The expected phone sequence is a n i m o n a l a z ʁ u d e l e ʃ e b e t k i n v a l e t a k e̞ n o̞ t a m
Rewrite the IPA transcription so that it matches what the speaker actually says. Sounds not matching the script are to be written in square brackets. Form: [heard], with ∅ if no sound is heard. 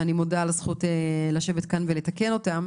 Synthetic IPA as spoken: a n i m o [d] a l a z [χ] u [t] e l [a] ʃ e [v] e t k [a] n v [e] l e t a k e̞ n o̞ t a m